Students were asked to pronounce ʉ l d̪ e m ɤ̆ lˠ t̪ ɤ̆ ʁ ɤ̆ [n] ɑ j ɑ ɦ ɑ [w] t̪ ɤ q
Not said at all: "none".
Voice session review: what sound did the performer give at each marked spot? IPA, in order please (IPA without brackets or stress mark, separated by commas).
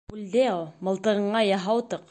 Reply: ɴ, w